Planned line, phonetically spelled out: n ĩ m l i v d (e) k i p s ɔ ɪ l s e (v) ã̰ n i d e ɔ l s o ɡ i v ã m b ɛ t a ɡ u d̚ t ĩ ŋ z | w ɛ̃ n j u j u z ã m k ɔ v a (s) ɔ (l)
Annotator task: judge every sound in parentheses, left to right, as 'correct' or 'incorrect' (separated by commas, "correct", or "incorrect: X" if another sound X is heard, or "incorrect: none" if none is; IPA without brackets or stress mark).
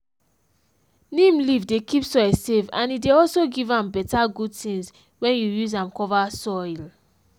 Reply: correct, correct, correct, correct